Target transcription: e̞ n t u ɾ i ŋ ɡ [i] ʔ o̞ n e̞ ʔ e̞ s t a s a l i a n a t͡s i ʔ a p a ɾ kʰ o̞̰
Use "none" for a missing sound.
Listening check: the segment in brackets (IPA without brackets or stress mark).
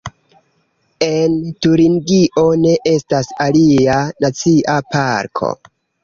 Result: i